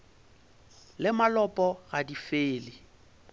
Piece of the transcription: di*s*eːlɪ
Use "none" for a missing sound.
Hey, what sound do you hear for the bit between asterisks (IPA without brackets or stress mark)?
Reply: f